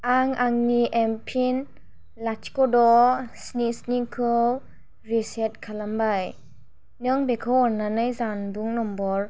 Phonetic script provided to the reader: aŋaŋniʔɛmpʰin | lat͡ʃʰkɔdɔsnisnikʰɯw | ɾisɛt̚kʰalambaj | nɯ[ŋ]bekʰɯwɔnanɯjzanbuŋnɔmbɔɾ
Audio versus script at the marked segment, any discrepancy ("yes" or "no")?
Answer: no